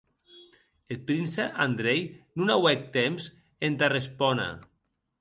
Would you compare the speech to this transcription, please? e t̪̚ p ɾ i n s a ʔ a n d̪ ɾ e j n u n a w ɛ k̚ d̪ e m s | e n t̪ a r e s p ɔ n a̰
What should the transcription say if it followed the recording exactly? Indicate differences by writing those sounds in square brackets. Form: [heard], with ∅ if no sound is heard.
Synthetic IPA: e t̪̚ p ɾ i n s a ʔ a n d̪ ɾ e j n u n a w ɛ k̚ [t̪] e m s | e n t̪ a r e s p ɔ n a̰